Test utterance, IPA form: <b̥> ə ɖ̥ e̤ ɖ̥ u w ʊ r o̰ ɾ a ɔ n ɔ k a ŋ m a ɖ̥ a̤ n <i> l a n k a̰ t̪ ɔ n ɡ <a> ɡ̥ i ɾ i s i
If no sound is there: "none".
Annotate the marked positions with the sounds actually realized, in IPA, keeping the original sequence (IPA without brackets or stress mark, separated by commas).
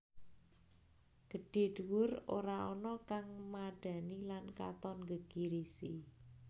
ɡ̥, i, ə